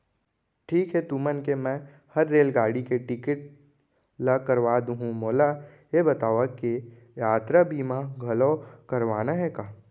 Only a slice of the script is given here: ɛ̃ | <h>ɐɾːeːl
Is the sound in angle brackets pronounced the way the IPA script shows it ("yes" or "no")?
yes